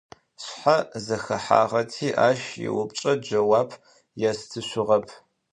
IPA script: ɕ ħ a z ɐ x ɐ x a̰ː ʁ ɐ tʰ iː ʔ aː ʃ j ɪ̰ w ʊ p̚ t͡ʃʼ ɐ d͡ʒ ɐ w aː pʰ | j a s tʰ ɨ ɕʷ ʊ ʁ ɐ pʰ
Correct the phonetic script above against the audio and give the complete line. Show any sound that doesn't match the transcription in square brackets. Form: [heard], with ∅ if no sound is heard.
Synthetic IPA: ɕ ħ a z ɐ x ɐ [ħ] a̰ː ʁ ɐ tʰ iː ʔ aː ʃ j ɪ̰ w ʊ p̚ t͡ʃʼ ɐ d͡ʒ ɐ w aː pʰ | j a s tʰ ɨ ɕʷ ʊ ʁ ɐ pʰ